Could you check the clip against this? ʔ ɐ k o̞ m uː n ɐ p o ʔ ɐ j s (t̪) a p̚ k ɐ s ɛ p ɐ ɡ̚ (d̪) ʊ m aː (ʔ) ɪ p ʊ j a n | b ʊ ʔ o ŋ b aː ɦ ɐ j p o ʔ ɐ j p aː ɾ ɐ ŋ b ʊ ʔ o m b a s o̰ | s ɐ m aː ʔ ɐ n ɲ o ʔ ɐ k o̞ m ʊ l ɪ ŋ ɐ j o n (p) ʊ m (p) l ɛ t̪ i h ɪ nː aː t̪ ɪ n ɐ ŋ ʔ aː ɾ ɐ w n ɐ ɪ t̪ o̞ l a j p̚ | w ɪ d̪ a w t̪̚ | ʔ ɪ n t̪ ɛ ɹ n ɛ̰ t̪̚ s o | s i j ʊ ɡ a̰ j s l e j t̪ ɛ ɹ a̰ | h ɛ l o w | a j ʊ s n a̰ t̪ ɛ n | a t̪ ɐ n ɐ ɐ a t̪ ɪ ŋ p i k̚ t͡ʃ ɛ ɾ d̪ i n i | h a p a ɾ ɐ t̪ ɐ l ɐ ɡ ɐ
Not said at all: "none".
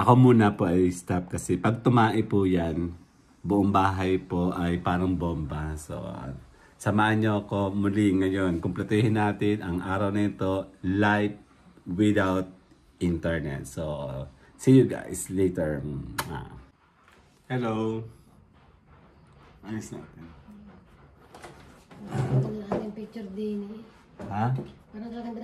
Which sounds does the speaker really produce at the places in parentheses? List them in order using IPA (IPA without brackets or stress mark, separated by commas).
t̪, t̪, ʔ, k, p